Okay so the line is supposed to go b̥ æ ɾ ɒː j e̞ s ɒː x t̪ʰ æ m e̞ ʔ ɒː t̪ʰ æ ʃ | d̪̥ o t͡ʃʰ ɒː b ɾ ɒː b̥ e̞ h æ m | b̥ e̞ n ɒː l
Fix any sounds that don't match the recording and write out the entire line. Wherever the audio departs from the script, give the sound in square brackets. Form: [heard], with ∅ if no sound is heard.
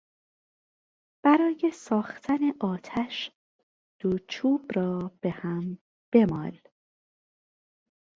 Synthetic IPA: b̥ æ ɾ ɒː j e̞ s ɒː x t̪ʰ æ [n] e̞ ʔ ɒː t̪ʰ æ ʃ | d̪̥ o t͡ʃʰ [uː] b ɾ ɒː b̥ e̞ h æ m | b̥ e̞ [m] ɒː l